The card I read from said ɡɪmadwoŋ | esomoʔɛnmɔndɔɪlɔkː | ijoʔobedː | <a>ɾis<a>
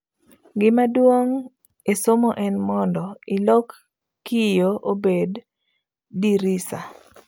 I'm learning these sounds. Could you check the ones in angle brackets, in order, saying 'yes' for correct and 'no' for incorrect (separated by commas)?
no, yes